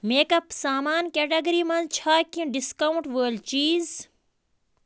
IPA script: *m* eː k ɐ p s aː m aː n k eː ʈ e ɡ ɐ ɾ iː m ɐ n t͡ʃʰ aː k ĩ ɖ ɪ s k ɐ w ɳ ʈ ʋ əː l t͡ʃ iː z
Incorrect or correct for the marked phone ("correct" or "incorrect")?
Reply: correct